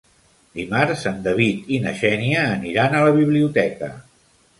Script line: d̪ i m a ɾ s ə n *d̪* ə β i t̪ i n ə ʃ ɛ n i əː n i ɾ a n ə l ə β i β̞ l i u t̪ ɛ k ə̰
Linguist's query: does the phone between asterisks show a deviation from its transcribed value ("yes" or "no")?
no